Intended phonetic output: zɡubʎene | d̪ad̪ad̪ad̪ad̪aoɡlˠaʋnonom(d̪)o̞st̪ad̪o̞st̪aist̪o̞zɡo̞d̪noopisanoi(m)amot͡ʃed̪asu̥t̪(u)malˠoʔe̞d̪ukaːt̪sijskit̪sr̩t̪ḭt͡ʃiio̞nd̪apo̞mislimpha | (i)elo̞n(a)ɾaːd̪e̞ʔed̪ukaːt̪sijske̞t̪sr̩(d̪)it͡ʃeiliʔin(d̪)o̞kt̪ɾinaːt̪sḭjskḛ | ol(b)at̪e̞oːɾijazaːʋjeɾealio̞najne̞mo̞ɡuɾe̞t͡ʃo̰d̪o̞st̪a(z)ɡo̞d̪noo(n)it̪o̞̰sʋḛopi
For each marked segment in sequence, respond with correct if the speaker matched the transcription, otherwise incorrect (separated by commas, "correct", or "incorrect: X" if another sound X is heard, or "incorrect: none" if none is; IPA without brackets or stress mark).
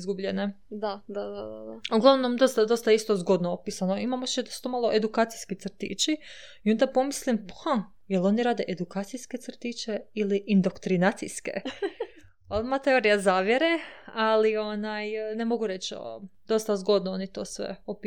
correct, correct, incorrect: o, incorrect: j, incorrect: i, incorrect: t̪, correct, incorrect: m, correct, correct